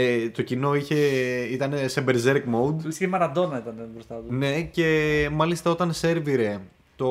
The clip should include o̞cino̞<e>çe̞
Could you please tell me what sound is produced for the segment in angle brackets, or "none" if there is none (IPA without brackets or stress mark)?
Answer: i